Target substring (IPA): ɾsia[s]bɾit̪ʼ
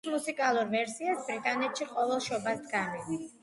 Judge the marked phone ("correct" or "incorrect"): correct